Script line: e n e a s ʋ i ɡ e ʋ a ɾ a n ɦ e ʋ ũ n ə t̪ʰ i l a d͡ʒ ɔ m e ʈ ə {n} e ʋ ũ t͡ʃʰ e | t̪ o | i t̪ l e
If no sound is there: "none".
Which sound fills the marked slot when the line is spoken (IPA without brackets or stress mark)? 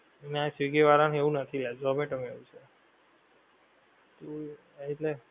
m